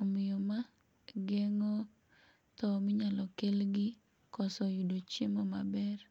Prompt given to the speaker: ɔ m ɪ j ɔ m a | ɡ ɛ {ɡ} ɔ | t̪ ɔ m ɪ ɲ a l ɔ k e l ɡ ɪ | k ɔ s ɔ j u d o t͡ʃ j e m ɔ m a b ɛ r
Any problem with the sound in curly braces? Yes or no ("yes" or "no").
yes